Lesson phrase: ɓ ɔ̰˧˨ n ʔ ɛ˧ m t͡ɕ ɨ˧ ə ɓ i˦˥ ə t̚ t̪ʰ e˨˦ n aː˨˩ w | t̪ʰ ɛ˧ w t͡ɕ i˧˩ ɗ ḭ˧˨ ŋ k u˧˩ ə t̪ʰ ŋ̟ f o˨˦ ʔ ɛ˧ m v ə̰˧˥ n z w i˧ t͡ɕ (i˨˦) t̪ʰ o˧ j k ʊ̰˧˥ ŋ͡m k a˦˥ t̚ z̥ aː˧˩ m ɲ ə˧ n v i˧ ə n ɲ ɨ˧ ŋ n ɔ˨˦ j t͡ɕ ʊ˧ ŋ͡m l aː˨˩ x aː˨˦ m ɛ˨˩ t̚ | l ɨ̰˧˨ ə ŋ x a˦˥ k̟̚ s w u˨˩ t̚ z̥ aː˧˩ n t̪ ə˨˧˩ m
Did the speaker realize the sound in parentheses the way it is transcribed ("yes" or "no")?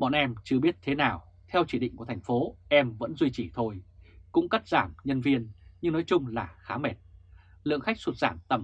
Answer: no